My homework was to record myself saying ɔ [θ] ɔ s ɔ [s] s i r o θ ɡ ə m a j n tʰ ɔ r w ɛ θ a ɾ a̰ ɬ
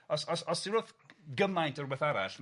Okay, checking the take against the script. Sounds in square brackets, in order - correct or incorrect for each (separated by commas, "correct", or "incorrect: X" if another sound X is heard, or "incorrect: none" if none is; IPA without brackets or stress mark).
incorrect: s, correct